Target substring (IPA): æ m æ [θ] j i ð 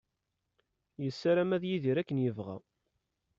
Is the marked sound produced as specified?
no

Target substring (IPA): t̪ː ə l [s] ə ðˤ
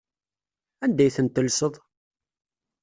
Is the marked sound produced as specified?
yes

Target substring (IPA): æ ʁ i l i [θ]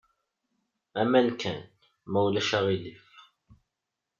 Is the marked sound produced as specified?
no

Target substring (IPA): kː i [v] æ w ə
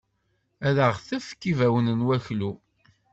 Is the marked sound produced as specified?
yes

